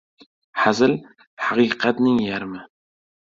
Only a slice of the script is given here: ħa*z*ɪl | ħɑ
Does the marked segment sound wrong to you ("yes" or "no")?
no